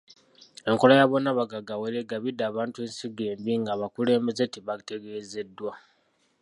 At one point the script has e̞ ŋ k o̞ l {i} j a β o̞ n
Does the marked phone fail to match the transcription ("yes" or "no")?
yes